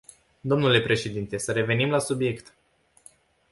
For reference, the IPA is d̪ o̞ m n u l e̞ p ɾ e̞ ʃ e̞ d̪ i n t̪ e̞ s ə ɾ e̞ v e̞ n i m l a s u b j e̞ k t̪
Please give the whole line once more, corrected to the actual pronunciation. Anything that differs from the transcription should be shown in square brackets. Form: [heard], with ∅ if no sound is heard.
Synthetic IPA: d̪ o̞ m n u l e̞ p ɾ e̞ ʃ e̞ d̪ i n t̪ e̞ s ə ɾ e̞ v e̞ n i m l a s u b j e̞ k t̪